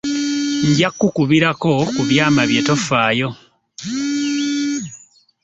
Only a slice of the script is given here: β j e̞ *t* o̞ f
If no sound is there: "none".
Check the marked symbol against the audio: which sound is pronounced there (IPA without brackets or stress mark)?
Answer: t